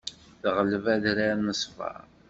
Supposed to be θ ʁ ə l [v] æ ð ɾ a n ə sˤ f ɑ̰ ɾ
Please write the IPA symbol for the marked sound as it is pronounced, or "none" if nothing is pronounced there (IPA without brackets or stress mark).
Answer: v